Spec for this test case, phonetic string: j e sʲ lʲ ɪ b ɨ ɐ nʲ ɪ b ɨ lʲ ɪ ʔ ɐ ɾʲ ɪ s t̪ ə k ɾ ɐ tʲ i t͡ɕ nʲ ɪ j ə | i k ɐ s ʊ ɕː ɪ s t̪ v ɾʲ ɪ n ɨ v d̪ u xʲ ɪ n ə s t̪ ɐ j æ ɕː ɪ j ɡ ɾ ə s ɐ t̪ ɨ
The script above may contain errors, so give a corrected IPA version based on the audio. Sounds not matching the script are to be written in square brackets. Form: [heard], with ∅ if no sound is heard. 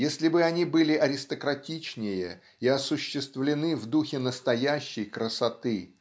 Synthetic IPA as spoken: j e sʲ lʲ ɪ b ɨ ɐ nʲ [i] b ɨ lʲ ɪ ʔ ɐ ɾʲ ɪ s t̪ ə k ɾ ɐ tʲ i t͡ɕ nʲ ɪ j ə | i [∅] ɐ s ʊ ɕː ɪ s t̪ v [lʲ] ɪ n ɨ v d̪ u xʲ ɪ n ə s t̪ ɐ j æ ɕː ɪ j [k] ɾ ə s ɐ t̪ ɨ